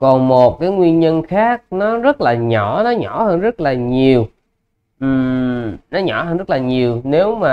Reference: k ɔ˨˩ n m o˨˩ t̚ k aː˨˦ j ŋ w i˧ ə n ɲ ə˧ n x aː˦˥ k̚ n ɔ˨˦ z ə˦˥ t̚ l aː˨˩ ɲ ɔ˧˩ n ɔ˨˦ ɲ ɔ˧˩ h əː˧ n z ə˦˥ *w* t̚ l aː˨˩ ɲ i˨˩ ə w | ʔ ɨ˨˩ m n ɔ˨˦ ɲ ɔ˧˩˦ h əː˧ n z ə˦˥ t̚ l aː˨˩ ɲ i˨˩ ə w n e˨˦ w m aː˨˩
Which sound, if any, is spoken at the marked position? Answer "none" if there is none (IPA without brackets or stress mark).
none